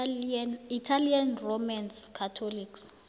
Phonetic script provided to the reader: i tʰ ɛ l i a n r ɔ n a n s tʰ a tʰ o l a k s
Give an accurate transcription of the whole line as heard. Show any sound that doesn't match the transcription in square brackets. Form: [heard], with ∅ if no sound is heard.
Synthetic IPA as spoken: i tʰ [a] l i a n r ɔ [m] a n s [kʰ] a tʰ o l [i] k s